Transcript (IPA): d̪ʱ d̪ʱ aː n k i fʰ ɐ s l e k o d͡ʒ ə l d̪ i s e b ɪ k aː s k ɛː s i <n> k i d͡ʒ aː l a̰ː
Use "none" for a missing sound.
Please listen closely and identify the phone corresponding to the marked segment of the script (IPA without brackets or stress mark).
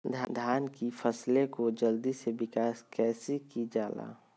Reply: none